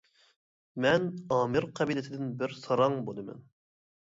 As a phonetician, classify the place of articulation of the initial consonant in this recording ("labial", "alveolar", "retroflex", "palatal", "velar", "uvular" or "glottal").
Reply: labial